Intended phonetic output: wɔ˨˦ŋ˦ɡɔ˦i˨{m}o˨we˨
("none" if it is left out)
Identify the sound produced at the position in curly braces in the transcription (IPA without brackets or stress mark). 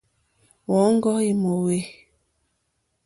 m